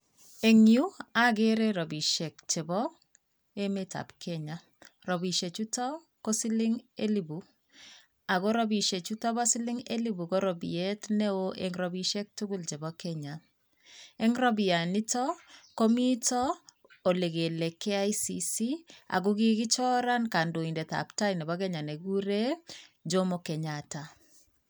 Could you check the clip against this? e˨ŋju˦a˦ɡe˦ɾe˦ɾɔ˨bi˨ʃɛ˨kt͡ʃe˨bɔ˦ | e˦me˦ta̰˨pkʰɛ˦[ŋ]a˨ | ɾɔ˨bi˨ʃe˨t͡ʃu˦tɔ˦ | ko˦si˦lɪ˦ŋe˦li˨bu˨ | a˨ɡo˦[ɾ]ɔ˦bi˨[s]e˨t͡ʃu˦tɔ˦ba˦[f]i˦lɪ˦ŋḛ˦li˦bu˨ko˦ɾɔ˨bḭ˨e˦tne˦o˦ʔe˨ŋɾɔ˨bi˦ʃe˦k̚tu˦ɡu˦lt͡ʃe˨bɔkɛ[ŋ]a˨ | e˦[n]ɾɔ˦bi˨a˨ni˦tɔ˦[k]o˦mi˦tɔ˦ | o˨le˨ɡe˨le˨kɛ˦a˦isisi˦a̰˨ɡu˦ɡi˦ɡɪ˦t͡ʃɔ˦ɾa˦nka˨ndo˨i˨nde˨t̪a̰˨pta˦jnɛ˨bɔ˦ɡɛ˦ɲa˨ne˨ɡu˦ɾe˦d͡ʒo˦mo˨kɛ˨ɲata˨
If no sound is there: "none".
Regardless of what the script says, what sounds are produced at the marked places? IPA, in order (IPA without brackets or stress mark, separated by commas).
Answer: ɲ, ɾ, ʃ, s, ɲ, ŋ, k